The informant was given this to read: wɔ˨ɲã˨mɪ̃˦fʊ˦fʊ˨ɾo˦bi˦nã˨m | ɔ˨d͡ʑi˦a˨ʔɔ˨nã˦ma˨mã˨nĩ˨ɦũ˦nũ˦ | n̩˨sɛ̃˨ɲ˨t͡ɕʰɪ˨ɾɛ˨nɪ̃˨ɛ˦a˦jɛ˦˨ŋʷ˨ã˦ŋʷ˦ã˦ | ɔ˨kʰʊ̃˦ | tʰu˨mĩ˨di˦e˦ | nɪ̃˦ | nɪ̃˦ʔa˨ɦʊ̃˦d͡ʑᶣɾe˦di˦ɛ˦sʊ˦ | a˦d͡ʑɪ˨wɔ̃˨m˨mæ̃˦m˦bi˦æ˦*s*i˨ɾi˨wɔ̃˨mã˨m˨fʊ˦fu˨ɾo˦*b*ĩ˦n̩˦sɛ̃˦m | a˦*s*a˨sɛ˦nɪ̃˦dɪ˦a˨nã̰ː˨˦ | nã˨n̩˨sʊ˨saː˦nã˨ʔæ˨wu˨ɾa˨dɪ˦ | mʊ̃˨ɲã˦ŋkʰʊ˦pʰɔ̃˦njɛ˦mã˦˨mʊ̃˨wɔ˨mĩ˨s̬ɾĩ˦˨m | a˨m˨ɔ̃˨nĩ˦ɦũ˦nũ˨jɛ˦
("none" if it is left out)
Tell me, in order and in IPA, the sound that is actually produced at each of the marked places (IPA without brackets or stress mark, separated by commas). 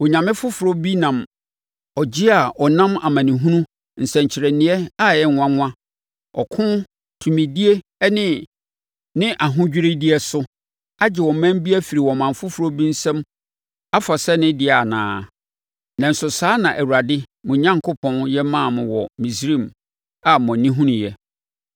f, b, f